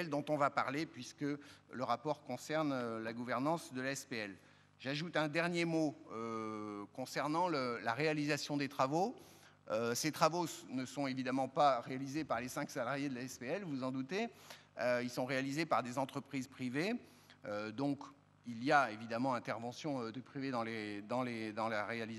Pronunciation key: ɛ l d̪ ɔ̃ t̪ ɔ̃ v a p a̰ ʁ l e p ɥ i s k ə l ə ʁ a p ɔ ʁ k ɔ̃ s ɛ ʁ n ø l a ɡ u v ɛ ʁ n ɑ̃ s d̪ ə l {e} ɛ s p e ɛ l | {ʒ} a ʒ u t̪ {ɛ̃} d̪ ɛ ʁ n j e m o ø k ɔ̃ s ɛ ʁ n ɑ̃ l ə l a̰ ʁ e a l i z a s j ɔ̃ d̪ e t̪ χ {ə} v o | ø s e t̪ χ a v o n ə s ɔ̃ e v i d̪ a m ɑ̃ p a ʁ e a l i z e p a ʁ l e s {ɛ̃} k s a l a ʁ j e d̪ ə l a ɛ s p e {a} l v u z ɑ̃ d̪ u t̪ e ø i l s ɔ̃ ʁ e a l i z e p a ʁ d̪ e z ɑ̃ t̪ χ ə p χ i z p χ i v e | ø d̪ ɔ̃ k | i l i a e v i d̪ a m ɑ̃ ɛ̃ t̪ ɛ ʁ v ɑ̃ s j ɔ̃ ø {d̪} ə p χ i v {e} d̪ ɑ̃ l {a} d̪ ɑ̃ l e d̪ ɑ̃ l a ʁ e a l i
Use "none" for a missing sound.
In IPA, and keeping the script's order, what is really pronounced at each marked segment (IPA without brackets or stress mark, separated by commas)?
a, ʒ, ɛ̃, a, ɛ̃, ɛ, d̪, e, e